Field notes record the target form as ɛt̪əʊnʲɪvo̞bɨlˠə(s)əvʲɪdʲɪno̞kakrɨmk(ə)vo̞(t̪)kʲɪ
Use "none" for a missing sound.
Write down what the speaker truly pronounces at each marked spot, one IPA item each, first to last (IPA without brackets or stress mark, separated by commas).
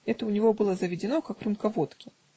z, ɐ, t̪